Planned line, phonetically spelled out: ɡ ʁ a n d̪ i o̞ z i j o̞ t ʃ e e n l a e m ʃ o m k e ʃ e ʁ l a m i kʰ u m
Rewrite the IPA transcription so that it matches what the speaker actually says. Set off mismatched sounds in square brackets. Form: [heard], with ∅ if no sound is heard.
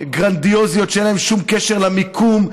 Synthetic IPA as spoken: ɡ ʁ a n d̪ i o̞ z i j o̞ t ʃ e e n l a e m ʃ [u] m k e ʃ e ʁ l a m i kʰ u m